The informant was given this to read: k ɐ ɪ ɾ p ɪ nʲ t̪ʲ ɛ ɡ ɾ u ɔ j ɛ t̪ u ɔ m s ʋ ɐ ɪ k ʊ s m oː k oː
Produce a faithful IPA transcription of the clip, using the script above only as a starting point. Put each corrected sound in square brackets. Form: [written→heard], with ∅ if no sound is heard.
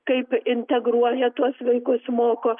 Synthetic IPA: k ɐ ɪ [ɾ→∅] p ɪ nʲ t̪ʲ ɛ ɡ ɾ u ɔ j ɛ t̪ u ɔ [m→∅] s ʋ ɐ ɪ k ʊ s m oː k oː